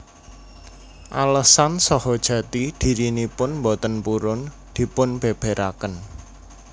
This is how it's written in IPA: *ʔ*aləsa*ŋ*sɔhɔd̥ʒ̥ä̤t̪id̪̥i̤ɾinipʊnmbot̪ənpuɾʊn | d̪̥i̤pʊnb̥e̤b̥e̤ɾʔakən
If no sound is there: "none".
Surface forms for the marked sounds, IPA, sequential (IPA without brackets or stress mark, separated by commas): ʔ, n